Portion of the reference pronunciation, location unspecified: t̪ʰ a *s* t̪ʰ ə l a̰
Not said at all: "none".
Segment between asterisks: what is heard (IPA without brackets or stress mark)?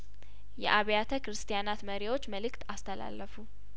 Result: s